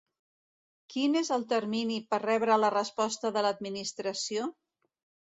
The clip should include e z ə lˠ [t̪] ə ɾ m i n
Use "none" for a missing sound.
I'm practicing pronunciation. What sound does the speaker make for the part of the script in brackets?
t̪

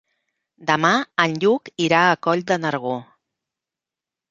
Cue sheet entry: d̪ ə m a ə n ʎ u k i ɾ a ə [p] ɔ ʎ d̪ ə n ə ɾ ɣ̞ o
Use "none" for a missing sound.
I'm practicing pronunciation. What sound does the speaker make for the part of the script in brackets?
k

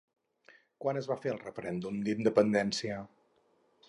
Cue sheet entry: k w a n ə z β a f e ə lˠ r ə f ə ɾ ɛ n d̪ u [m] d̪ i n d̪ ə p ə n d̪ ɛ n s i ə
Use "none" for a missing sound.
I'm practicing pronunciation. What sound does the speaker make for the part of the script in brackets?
m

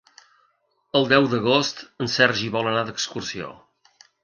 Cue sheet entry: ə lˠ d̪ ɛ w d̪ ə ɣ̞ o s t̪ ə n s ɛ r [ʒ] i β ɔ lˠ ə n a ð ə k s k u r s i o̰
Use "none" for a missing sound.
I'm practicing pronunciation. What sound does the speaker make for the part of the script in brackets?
ʒ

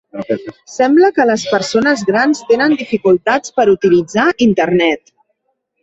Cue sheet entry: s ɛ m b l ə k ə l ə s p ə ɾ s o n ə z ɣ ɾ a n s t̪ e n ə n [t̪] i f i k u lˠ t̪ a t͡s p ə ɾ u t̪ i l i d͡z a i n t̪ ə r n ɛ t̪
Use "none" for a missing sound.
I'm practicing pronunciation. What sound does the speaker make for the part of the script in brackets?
d̪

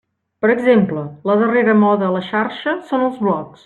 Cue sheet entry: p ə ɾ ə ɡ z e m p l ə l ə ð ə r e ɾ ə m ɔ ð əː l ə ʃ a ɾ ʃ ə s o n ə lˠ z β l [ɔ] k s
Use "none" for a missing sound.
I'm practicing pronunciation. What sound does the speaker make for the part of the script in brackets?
ɔ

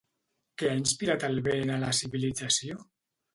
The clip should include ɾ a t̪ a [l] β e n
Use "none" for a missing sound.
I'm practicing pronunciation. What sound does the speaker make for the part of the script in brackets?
l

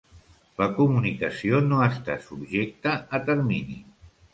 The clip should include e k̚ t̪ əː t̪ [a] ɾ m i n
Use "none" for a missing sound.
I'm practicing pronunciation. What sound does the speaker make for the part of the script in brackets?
ə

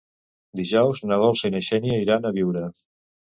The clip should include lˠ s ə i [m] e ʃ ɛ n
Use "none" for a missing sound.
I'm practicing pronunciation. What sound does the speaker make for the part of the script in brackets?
n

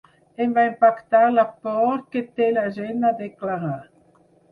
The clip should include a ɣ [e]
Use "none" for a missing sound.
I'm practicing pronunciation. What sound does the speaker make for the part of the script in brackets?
a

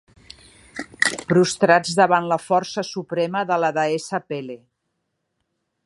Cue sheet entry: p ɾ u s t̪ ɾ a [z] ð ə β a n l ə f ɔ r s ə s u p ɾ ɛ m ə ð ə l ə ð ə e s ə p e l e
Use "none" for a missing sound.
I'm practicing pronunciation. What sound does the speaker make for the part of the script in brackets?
d͡z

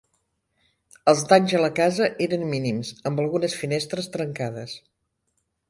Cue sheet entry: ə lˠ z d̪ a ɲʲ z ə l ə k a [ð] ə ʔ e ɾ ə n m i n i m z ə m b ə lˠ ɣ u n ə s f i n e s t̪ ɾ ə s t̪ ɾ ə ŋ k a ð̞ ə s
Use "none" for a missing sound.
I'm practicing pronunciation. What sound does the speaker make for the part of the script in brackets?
z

